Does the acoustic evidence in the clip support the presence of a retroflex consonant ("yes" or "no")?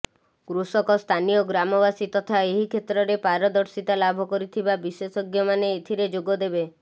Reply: no